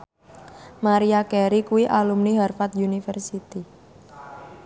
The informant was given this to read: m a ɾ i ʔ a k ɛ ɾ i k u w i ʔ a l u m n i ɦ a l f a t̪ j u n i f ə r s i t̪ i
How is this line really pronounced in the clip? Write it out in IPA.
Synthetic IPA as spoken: m a ɾ i a k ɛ ɾ i k u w i ʔ a l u m n i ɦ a r f a t̪ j u n i f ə r s i t̪ i